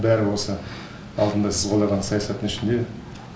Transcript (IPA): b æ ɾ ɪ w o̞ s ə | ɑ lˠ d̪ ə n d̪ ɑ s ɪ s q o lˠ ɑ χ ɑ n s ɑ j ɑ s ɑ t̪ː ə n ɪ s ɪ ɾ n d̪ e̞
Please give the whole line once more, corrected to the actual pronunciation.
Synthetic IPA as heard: b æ ɾ ɪ w o̞ s ə | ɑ lˠ d̪ ə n d̪ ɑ s ɪ z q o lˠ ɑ ʁ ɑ n s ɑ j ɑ s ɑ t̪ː ə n ɪ ʃ ɪ n d̪ e̞